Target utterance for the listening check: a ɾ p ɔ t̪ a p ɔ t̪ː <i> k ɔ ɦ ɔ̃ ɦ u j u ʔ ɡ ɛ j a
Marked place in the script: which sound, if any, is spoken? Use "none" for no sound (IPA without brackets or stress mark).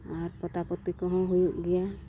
i